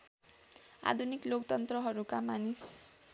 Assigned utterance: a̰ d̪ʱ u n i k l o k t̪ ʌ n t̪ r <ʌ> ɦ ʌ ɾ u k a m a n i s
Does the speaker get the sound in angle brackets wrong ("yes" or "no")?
no